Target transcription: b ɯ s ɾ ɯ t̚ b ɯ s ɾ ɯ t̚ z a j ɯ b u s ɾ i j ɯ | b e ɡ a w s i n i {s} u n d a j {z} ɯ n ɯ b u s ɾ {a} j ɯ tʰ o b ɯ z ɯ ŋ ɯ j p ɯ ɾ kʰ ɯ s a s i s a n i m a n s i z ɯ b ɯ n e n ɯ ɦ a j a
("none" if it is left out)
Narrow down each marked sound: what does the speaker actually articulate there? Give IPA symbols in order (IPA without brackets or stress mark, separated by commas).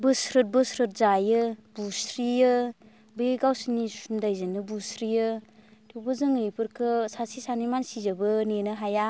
s, z, i